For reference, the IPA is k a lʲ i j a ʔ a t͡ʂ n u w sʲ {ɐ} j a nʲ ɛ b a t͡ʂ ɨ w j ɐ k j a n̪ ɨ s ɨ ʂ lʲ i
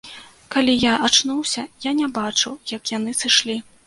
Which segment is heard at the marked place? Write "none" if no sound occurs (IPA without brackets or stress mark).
ɐ